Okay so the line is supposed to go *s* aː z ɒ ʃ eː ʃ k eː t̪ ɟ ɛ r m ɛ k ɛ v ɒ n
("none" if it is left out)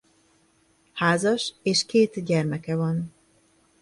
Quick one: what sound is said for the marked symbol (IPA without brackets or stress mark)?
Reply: h